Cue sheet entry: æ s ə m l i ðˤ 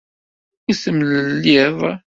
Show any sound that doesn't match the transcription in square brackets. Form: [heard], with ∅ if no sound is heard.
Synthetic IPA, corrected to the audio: [i] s ə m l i ðˤ